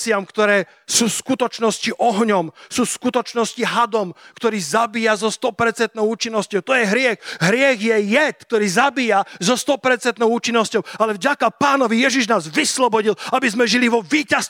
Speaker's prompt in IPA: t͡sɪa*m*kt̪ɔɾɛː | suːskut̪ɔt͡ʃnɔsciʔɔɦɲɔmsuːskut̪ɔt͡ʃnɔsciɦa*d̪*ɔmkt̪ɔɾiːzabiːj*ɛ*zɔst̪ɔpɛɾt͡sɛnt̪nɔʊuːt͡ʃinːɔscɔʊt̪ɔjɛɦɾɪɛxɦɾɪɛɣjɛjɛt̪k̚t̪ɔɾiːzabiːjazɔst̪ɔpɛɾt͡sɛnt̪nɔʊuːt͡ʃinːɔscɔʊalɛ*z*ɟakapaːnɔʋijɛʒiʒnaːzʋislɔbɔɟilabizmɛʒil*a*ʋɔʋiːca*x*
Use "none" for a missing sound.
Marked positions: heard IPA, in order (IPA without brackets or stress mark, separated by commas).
m, d̪, a, v, i, s